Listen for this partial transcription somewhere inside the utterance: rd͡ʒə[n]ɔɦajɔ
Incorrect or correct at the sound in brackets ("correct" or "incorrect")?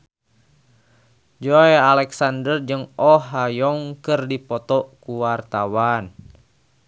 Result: incorrect